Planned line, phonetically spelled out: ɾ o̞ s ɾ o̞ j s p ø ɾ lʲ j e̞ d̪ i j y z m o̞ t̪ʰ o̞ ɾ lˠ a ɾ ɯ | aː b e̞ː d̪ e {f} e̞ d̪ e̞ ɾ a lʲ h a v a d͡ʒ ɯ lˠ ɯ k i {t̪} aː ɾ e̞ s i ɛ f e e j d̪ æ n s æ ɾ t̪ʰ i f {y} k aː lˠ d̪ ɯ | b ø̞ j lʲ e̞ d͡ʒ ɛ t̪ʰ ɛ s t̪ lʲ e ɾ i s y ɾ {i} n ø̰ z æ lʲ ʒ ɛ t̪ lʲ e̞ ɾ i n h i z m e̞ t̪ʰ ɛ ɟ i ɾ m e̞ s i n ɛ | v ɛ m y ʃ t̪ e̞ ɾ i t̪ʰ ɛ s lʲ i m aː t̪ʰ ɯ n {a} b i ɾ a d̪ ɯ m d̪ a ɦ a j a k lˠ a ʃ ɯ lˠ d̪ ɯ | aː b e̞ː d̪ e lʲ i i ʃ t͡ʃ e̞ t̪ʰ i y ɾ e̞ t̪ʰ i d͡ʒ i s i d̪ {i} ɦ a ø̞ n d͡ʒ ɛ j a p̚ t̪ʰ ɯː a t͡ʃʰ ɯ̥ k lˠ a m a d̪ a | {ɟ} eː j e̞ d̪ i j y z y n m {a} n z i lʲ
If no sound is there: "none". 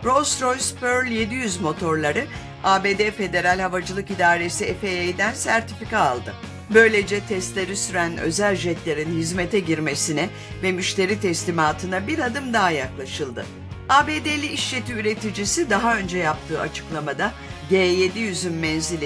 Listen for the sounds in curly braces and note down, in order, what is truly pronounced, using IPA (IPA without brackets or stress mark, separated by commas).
f, d̪, i, æ, a, a, ɟ, ɛ